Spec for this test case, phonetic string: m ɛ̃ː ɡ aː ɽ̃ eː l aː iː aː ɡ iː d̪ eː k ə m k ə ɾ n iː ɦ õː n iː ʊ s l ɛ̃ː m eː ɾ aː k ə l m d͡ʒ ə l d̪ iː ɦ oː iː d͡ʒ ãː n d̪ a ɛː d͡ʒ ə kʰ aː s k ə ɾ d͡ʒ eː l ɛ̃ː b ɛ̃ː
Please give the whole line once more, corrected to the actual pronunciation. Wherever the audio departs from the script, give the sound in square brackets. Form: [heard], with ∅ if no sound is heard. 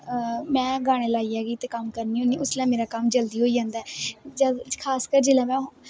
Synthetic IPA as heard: m ɛ̃ː ɡ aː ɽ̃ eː l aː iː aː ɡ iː [t̪] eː k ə m k ə ɾ n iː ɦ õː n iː ʊ s l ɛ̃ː m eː ɾ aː k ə [∅] m d͡ʒ ə l d̪ iː ɦ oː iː d͡ʒ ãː n d̪ a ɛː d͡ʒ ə kʰ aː s k ə ɾ d͡ʒ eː l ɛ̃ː [m] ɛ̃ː

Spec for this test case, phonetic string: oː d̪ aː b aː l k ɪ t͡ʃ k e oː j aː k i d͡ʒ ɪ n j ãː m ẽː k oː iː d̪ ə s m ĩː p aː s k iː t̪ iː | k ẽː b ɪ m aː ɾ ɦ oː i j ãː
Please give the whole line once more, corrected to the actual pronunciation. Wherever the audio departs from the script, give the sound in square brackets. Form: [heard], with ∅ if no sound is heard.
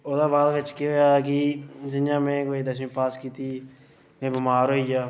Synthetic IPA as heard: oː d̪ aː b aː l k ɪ t͡ʃ k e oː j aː k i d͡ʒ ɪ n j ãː m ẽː k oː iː d̪ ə s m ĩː p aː s k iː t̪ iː | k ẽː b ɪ m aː ɾ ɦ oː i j [aː]

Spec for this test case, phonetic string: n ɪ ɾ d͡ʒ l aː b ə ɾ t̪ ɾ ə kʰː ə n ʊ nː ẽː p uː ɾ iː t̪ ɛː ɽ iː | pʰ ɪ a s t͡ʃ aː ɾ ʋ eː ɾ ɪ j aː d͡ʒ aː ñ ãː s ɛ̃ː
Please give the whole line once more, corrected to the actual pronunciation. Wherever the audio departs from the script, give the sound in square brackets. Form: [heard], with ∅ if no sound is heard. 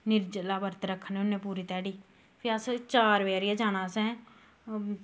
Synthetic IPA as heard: n ɪ ɾ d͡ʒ l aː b ə ɾ t̪ ɾ ə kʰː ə n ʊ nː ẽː p uː ɾ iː t̪ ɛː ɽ iː | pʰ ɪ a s t͡ʃ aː ɾ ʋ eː ɾ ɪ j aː d͡ʒ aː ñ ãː s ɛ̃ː

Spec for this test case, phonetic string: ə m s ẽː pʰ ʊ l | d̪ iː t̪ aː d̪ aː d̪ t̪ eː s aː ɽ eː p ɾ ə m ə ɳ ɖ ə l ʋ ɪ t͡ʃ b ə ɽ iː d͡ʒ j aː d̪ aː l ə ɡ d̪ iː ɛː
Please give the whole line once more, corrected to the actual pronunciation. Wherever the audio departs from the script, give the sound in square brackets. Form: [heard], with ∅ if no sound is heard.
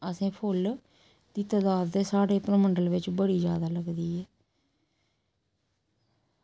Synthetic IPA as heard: ə [∅] s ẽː pʰ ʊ l | d̪ iː t̪ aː d̪ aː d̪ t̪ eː s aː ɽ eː p ɾ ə m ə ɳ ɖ ə l ʋ ɪ t͡ʃ b ə ɽ iː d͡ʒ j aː d̪ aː l ə ɡ d̪ iː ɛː

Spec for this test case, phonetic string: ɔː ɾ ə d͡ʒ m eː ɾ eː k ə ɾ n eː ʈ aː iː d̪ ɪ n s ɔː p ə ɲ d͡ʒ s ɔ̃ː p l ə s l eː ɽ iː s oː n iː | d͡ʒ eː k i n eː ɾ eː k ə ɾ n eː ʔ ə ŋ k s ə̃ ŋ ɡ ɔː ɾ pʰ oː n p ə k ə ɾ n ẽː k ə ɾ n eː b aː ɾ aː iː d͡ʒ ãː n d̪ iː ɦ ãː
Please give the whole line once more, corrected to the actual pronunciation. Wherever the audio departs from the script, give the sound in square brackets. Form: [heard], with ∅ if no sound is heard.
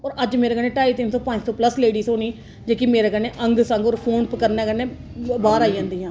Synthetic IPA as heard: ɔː ɾ ə d͡ʒ m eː ɾ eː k ə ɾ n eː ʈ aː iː [t̪] ɪ n s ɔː p ə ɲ d͡ʒ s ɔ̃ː p l ə s l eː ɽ iː s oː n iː | d͡ʒ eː k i [m] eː ɾ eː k ə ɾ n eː ʔ ə ŋ [ɡ] s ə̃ ŋ ɡ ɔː ɾ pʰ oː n p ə k ə ɾ n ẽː k ə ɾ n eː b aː ɾ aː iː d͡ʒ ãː n d̪ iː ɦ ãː

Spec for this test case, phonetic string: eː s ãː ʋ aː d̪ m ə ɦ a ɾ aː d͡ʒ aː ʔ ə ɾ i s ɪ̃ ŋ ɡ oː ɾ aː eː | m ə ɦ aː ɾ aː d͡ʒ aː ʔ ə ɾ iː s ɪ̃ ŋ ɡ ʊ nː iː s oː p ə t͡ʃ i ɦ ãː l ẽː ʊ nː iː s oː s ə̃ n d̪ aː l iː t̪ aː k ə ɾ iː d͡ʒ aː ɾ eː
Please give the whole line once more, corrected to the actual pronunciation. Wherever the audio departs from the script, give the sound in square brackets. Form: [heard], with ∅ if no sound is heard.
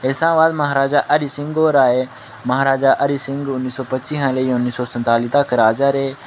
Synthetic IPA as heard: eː s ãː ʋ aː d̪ m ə ɦ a ɾ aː d͡ʒ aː ʔ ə ɾ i s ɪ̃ ŋ ɡ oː ɾ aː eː | m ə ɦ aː ɾ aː d͡ʒ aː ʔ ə ɾ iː s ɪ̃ ŋ ɡ ʊ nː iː s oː p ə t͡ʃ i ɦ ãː l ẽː ʊ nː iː s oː s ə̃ n [t̪] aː l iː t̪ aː k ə ɾ [aː] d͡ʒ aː ɾ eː

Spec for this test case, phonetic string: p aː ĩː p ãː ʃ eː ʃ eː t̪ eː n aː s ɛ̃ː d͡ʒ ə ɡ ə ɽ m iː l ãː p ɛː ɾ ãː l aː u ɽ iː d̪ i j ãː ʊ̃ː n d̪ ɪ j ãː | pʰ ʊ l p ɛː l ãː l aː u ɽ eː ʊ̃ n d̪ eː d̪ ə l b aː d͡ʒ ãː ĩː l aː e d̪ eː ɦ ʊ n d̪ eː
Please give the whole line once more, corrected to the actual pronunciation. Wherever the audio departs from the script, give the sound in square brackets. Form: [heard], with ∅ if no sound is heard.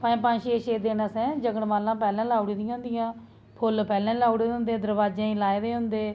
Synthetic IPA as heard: p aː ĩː p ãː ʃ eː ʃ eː [d̪] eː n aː s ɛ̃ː d͡ʒ ə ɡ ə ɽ m [aː] l ãː p ɛː [l] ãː l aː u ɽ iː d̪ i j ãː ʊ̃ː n d̪ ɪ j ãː | pʰ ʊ l p ɛː l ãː l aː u ɽ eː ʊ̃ n d̪ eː d̪ ə [ɾ] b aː d͡ʒ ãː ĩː l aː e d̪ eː ɦ ʊ n d̪ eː

